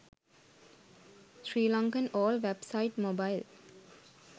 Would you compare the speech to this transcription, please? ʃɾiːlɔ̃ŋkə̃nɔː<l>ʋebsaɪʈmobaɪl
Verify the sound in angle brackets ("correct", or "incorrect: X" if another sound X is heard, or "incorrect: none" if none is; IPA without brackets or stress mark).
correct